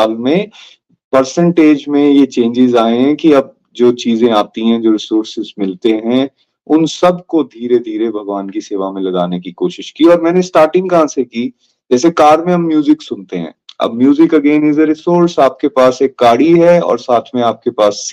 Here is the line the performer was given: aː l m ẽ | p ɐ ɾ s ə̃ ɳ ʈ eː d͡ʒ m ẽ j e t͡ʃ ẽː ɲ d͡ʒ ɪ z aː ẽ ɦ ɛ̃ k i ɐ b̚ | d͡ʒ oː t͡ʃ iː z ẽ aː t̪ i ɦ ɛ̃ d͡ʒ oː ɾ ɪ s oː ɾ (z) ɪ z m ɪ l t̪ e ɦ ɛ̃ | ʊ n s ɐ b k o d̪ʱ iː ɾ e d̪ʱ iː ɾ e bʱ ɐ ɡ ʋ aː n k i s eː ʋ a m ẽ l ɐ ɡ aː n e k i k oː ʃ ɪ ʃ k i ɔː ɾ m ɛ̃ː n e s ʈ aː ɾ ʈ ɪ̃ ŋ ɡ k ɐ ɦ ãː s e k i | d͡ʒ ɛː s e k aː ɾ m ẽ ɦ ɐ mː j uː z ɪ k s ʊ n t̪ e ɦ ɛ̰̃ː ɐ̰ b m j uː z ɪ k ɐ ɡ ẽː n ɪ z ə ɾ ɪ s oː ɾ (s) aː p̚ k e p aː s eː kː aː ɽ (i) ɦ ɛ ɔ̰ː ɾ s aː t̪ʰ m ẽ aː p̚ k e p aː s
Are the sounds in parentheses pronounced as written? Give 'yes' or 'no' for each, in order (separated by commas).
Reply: no, yes, yes